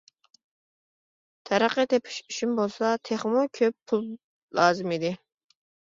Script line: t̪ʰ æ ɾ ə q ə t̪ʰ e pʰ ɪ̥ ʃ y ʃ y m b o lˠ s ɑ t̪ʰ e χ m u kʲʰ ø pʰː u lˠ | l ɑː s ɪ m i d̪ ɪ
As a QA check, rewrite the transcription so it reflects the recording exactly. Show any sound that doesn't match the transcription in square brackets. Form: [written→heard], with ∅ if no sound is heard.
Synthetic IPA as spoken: t̪ʰ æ ɾ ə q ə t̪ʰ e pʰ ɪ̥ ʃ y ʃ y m b o lˠ s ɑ t̪ʰ e χ m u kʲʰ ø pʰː u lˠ | l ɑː [s→z] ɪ m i d̪ ɪ